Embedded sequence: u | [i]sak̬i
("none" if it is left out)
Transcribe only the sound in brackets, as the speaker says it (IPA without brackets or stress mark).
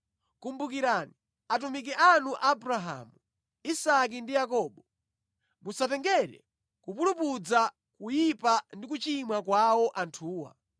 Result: i